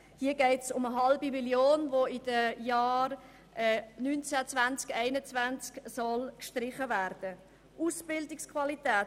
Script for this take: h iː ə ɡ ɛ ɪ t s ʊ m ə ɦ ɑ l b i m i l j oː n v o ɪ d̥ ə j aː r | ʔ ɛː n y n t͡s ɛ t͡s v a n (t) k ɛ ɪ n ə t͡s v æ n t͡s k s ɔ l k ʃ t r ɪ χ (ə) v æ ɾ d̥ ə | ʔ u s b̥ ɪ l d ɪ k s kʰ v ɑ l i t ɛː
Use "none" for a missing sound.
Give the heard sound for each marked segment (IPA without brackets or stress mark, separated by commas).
t͡s, ə